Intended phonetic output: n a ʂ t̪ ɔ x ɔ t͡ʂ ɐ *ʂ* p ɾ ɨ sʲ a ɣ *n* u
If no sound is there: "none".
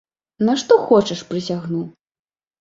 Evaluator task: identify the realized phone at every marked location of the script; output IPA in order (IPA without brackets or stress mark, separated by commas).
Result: ʂ, n